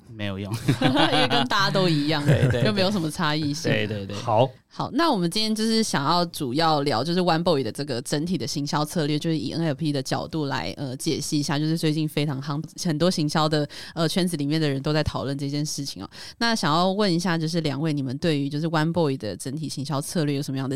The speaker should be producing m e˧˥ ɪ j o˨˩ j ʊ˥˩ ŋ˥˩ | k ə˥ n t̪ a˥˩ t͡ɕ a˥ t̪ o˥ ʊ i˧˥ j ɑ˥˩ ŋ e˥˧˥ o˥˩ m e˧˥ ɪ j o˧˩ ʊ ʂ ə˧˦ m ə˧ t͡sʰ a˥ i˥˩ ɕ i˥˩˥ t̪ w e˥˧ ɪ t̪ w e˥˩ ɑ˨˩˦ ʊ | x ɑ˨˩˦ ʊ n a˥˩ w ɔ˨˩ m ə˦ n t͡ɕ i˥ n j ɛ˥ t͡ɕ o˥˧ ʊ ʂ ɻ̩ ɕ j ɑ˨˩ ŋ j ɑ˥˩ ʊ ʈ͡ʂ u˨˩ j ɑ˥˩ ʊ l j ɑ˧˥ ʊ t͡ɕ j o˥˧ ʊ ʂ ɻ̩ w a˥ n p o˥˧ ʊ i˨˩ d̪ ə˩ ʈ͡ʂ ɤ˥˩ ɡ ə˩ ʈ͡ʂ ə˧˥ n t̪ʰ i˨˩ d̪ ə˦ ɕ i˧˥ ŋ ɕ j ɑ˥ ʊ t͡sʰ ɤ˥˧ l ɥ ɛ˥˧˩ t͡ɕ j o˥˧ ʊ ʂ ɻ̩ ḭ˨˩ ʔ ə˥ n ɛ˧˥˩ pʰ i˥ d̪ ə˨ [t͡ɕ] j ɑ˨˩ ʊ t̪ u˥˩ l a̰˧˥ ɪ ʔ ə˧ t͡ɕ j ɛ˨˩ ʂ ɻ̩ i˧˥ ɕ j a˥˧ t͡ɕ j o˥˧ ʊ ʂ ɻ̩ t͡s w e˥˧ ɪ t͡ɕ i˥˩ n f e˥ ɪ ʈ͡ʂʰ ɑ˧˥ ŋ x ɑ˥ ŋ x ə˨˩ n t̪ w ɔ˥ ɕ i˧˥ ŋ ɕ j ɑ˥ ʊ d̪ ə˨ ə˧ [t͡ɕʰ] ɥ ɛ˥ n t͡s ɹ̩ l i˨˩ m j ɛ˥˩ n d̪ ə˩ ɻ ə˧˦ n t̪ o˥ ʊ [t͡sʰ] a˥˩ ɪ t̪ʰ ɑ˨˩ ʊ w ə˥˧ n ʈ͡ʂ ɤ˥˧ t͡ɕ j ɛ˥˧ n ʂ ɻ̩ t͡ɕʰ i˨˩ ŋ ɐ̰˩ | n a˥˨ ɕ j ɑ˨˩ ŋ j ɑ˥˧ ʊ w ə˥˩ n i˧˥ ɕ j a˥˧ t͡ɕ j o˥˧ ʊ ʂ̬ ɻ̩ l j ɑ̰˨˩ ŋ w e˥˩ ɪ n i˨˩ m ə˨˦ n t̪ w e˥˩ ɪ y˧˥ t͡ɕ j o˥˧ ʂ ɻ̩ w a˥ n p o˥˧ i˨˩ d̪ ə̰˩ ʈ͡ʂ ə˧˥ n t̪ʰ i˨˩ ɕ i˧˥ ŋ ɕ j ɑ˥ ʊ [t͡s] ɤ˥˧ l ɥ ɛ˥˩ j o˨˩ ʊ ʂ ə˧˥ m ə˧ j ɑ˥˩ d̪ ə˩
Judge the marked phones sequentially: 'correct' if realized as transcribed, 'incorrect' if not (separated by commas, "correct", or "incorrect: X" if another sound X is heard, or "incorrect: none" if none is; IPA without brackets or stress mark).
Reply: correct, correct, incorrect: t͡s, incorrect: t͡sʰ